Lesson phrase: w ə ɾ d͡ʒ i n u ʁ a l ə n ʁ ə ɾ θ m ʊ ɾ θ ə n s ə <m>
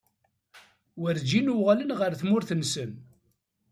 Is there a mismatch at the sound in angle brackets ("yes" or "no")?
yes